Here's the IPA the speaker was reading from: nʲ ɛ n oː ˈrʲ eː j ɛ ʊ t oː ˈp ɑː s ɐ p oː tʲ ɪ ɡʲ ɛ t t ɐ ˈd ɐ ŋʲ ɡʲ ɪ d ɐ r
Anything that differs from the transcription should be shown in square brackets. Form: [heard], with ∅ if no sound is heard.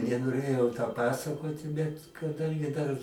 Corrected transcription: nʲ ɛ n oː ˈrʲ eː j ɛ ʊ t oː ˈp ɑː s ɐ [k] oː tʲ ɪ [bʲ] ɛ t [k] ɐ ˈd ɐ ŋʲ ɡʲ ɪ d ɐ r